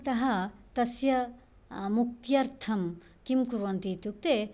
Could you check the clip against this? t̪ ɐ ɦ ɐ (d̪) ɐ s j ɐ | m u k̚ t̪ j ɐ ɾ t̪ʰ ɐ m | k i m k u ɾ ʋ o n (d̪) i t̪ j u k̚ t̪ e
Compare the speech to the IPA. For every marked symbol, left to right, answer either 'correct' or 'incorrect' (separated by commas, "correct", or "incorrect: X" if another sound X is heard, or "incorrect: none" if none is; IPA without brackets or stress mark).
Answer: incorrect: t̪, incorrect: t̪